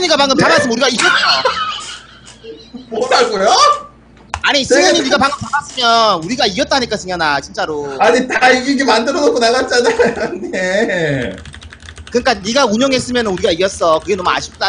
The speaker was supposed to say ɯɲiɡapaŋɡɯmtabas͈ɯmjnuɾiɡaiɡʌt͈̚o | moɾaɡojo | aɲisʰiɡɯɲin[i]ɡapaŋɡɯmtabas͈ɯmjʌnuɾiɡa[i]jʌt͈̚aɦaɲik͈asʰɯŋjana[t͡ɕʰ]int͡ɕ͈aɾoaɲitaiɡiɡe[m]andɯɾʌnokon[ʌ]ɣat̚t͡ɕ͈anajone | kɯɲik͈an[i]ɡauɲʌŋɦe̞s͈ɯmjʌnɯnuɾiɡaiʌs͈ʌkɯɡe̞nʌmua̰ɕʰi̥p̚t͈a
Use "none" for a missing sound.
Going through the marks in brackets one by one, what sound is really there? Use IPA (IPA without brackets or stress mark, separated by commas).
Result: i, i, t͡ɕ, m, a, i